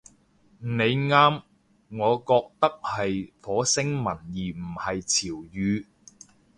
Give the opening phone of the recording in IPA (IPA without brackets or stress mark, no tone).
n